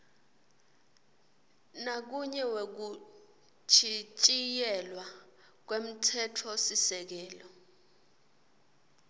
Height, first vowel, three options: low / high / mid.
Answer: low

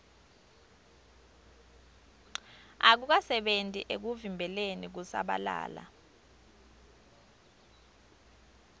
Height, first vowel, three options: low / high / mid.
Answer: low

